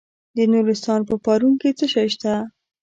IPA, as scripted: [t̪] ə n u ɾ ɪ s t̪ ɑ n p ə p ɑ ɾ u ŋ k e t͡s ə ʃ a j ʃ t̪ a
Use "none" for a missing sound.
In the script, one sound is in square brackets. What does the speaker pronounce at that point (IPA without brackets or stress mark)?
d̪